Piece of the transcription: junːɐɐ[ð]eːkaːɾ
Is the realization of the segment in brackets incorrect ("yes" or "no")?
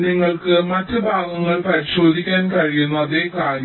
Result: no